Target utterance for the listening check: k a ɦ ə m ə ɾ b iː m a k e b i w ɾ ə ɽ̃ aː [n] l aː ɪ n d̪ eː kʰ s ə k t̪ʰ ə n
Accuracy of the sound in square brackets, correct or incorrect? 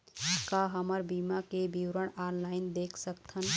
correct